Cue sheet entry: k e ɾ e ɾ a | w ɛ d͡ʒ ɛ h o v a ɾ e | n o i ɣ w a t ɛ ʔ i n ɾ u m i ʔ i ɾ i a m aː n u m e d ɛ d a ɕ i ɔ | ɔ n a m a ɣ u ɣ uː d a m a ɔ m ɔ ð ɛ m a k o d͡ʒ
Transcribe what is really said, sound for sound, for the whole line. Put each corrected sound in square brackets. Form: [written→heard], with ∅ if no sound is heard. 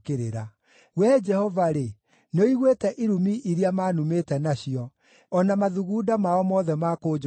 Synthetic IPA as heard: k e ɾ e ɾ a | w ɛ d͡ʒ ɛ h [o→ɔ] v a ɾ e | n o i ɣ w [a→e] t ɛ ʔ i [n→∅] ɾ u m i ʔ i ɾ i a m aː n u m e [d→t] ɛ [d→n] a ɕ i ɔ | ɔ n a m a [ɣ→ð] u ɣ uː d a m a ɔ m ɔ ð ɛ m a k o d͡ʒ